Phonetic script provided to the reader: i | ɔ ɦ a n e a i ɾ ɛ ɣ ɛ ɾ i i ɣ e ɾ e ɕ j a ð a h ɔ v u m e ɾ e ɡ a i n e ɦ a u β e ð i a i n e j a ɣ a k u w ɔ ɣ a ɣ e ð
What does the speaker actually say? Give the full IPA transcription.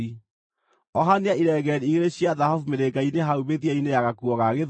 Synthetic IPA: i | ɔ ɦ a n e a i ɾ ɛ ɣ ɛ ɾ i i ɣ e ɾ e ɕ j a ð a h ɔ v u m e ɾ e ɡ a i n e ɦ a u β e ð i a i n e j a ɣ a k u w ɔ ɣ a ɣ e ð